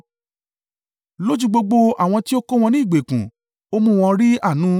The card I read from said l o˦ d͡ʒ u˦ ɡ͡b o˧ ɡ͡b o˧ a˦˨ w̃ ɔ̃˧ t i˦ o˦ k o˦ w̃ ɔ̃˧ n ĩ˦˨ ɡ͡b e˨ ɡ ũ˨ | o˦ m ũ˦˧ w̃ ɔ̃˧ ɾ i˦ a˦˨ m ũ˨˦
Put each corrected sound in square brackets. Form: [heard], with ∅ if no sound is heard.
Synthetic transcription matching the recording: l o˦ d͡ʒ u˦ ɡ͡b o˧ ɡ͡b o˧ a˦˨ w̃ ɔ̃˧ t i˦ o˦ k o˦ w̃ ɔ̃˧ n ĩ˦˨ ɡ͡b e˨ [k] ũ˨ | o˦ m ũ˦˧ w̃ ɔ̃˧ ɾ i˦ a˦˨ [n] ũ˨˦